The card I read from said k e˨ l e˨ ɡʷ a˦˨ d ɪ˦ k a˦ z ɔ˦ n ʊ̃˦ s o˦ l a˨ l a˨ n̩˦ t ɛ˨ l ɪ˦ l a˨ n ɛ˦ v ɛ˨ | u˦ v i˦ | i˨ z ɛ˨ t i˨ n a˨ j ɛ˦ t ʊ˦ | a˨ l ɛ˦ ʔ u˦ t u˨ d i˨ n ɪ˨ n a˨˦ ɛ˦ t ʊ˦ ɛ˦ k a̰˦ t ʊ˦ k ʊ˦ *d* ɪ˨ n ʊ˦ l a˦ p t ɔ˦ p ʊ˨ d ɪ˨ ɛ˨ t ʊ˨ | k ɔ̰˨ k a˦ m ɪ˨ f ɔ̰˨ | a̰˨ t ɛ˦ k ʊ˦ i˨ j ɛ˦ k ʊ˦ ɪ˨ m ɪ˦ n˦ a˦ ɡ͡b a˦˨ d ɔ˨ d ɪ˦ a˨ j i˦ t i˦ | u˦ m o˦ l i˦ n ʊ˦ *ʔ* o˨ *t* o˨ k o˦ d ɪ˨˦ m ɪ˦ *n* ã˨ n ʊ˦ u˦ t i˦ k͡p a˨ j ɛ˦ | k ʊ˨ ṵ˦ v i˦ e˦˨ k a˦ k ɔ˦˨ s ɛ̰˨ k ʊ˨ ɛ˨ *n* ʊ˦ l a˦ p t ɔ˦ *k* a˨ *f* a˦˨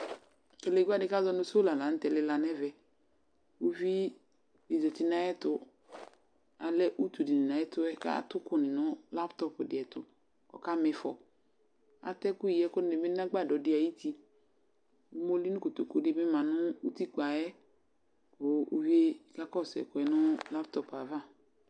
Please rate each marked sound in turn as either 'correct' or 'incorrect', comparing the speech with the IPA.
incorrect: n, incorrect: k, correct, incorrect: m, correct, incorrect: p, incorrect: v

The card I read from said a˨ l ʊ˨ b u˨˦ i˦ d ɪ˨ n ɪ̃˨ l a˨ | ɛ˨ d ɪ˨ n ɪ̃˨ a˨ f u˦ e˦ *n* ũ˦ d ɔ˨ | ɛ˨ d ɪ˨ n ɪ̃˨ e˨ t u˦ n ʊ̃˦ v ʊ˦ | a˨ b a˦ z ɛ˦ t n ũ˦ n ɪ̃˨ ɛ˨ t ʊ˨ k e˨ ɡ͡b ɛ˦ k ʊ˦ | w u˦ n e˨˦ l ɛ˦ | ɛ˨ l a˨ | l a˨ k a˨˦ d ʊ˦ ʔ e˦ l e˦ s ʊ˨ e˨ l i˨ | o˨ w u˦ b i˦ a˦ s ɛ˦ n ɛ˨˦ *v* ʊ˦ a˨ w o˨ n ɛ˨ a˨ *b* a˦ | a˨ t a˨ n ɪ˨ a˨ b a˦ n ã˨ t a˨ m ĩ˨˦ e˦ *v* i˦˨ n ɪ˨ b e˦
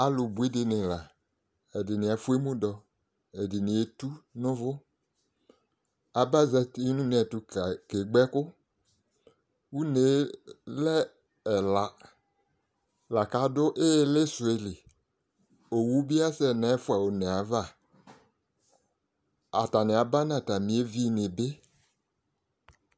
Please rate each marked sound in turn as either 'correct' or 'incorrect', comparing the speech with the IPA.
incorrect: m, incorrect: f, incorrect: v, correct

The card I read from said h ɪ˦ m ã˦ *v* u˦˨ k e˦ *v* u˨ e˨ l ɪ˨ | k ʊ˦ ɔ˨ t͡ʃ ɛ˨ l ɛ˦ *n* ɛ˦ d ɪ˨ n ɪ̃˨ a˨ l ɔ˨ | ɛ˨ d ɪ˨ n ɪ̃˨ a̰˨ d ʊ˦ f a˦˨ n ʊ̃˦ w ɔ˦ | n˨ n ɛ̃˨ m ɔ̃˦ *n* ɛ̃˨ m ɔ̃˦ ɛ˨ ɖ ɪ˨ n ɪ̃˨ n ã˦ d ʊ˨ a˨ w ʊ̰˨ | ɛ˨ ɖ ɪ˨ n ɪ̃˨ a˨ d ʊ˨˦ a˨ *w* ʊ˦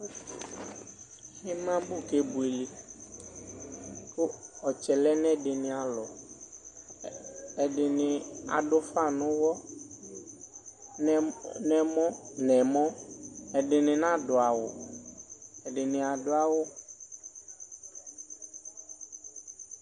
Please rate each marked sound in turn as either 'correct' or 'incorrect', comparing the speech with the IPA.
incorrect: b, incorrect: b, correct, correct, correct

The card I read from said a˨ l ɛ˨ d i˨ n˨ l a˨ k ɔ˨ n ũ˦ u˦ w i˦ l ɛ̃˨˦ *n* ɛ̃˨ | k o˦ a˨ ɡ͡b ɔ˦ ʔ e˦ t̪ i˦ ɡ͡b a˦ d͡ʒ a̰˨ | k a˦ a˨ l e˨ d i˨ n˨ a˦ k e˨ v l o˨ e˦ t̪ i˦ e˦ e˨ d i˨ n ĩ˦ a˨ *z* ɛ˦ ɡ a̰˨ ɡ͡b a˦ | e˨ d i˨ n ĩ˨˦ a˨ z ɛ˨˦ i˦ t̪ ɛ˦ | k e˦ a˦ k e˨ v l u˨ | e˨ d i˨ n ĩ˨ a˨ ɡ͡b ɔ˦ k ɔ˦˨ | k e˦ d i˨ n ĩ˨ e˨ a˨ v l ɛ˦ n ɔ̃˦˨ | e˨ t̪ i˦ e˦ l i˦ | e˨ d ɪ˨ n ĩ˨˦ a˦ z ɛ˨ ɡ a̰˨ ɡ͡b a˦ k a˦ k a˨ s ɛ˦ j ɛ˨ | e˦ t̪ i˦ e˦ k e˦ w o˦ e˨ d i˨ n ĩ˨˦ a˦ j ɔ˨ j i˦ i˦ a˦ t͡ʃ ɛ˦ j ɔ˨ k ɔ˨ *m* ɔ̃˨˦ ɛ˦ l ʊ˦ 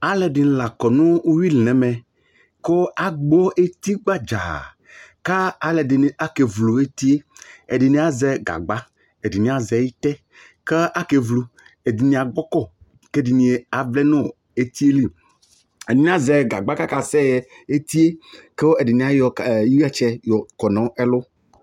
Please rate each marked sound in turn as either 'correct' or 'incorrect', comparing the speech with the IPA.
incorrect: m, correct, incorrect: n

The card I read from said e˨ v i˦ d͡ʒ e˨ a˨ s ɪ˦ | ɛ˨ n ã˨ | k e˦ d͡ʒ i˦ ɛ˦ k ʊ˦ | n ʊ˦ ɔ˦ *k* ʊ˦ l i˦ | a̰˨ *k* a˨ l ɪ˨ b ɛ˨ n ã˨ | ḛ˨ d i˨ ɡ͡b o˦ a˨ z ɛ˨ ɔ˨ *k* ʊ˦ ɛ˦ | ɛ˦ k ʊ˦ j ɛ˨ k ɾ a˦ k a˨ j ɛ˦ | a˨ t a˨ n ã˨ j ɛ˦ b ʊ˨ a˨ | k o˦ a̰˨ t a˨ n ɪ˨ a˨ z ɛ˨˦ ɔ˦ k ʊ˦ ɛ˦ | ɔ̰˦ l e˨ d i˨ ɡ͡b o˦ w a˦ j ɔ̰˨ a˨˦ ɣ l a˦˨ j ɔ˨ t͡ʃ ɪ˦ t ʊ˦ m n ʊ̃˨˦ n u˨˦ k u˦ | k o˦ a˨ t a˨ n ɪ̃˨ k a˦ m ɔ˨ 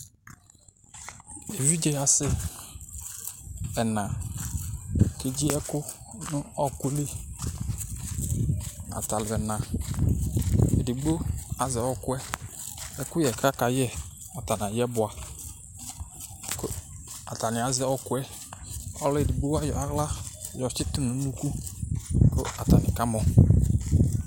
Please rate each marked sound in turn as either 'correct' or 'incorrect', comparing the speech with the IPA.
correct, incorrect: t, correct

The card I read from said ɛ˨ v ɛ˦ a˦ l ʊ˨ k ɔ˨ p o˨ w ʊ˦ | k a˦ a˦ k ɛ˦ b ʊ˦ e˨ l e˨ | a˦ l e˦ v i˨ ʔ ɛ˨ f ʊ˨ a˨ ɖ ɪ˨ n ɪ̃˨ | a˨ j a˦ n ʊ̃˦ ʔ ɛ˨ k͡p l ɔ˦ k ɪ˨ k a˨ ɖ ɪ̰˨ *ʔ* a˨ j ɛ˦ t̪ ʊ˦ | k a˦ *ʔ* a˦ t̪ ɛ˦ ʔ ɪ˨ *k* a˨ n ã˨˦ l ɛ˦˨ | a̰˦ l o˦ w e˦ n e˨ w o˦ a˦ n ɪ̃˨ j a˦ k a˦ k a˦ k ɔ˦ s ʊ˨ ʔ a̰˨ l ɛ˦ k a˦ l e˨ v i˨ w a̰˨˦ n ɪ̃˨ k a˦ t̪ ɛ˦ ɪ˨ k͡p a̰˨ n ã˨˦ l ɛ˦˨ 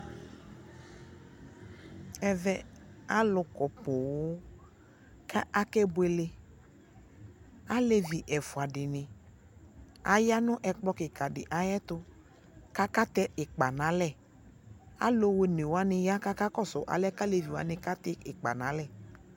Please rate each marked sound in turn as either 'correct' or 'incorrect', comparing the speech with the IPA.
correct, incorrect: k, incorrect: k͡p

